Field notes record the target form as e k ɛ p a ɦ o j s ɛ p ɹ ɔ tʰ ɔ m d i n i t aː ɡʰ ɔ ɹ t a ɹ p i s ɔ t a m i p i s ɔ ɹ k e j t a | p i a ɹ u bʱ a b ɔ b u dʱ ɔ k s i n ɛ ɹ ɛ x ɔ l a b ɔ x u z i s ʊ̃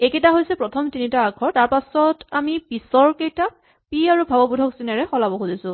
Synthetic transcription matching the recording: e k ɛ t a ɦ o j s ɛ p ɹ ɔ tʰ ɔ m t i n i t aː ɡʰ ɔ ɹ t a ɹ p a s ɔ t a m i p i s ɔ ɹ k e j t a | p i a ɹ u bʱ a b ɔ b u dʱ ɔ k s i n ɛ ɹ ɛ x ɔ l a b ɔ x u z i s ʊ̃

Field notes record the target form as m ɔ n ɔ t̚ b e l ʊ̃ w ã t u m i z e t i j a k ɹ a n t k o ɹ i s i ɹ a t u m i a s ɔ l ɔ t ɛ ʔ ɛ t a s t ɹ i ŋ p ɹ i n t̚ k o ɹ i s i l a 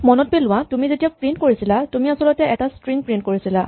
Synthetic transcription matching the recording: m ɔ n ɔ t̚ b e l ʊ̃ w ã t u m i z e t i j a p ɹ i n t k o ɹ i s i l a t u m i a s ɔ l ɔ t ɛ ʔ ɛ t a s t ɹ i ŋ p ɹ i n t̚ k o ɹ i s i l a

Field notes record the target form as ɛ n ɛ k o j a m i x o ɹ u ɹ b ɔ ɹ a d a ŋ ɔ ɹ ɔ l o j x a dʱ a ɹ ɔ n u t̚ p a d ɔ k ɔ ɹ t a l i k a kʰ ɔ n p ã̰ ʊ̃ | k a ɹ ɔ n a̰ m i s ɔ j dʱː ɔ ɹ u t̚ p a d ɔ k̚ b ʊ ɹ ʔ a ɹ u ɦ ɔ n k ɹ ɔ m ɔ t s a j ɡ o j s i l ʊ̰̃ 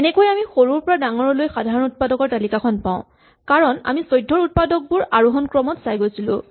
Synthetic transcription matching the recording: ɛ n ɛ k o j a m i x o ɹ u ɹ p ɔ ɹ a d a ŋ ɔ ɹ ɔ l o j x a dʱ a ɹ ɔ n u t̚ p a d ɔ k ɔ ɹ t a l i k a kʰ ɔ n p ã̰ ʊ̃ | k a ɹ ɔ n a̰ m i s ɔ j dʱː ɔ ɹ u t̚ p a d ɔ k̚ b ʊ ɹ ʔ a ɹ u ɦ ɔ n k ɹ ɔ m ɔ t s a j ɡ o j s i l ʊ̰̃

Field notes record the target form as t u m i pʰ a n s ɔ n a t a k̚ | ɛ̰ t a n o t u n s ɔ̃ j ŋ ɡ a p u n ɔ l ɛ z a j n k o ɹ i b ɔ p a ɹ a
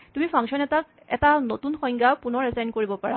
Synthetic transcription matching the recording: t u m i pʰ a ŋ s ɔ n ɛ t a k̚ | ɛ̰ t a n o t u n x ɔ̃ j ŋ ɡ a p u n ɔ ɹ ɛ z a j n k o ɹ i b ɔ p a ɹ a

